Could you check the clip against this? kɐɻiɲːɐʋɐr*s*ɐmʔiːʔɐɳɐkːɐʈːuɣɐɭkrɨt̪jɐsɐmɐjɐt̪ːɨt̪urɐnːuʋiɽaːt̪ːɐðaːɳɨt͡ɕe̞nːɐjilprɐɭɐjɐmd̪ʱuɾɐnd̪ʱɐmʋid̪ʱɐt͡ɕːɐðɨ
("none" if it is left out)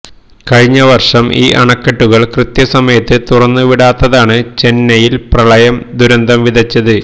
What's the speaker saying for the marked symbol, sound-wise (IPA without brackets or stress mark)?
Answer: ʂ